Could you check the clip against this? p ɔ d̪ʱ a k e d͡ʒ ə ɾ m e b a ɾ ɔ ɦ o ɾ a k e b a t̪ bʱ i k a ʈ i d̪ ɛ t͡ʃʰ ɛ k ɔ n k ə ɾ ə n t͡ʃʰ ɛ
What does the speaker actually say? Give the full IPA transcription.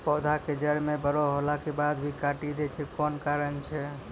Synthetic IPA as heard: p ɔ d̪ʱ a k e d͡ʒ ə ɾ m e b ə ɾ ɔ ɦ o l a k e b a d̪ bʱ i k a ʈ i d̪ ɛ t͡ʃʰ ɛ k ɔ n k a ɾ ə n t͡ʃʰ ɛ